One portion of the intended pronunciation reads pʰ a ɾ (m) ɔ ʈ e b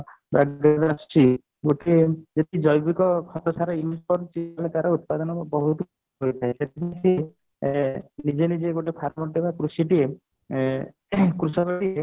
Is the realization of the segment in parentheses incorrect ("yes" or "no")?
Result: no